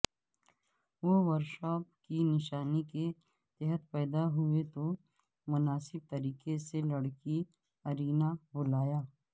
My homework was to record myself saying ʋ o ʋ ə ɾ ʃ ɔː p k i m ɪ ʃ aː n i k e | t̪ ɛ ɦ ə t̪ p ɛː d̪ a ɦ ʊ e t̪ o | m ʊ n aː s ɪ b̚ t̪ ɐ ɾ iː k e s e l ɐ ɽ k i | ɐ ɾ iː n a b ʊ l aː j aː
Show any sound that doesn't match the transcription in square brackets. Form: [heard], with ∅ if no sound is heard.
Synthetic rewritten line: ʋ o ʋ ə ɾ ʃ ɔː p k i [n] ɪ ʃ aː n i k e | t̪ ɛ ɦ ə t̪ p ɛː d̪ a ɦ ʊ e t̪ o | m ʊ n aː s ɪ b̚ t̪ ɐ ɾ iː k e s e l ɐ ɽ k i | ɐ ɾ iː n a b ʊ l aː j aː